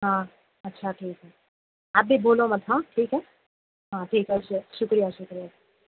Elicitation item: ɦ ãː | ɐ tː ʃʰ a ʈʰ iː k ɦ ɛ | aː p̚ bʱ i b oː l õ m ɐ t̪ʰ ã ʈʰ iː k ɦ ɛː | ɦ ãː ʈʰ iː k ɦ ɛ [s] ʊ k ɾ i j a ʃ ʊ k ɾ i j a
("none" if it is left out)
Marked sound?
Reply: ʃ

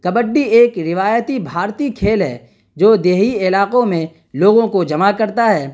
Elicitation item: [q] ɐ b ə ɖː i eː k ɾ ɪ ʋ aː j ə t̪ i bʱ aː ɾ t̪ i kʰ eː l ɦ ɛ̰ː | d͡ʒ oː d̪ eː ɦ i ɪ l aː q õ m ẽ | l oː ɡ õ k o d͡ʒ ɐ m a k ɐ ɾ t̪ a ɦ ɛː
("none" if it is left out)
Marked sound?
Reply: k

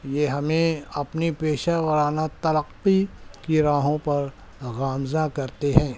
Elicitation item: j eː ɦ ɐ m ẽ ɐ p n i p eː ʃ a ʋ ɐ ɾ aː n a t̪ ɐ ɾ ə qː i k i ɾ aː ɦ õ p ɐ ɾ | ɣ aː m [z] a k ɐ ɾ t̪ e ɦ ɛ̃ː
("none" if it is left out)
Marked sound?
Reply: z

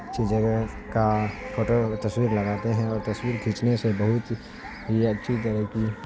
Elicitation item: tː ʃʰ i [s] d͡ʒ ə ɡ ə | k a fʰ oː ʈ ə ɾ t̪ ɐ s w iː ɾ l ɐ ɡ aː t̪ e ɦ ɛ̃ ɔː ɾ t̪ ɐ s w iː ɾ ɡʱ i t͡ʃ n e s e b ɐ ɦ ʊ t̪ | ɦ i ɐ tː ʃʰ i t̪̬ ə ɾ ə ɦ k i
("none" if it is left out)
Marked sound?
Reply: none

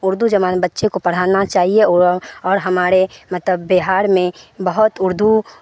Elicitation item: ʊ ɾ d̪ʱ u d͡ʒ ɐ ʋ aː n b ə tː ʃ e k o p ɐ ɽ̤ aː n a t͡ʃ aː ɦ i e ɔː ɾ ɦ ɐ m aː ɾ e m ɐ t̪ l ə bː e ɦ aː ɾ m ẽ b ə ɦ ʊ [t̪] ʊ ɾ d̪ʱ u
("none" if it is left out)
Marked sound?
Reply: t̪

